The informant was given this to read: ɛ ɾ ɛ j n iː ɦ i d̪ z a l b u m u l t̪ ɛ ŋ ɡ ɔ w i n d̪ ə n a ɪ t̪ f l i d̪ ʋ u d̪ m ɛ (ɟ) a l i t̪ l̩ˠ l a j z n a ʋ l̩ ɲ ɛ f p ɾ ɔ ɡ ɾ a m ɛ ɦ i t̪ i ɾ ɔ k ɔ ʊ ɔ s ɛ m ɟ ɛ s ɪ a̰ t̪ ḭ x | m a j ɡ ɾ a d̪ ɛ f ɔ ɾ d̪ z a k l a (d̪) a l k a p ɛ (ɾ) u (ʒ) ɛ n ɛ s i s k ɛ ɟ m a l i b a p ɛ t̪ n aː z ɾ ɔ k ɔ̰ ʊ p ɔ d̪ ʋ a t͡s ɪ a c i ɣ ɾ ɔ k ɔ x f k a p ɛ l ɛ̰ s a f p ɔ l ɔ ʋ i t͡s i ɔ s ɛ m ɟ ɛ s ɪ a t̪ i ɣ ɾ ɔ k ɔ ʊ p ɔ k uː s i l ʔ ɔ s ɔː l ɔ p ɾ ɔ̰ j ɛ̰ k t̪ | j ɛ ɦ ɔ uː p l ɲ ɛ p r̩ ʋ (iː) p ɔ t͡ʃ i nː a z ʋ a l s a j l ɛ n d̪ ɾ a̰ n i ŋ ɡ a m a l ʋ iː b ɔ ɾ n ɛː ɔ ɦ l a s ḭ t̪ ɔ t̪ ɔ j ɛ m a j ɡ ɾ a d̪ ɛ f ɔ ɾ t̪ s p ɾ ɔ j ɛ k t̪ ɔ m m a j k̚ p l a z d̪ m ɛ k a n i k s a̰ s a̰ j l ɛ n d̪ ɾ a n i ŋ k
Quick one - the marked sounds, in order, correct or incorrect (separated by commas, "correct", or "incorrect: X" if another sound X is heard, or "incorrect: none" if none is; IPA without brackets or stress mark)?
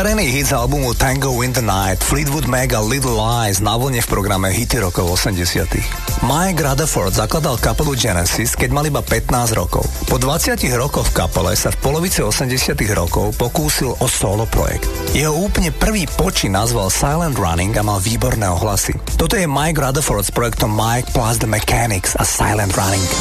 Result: incorrect: ɡ, correct, incorrect: l, incorrect: d͡ʒ, correct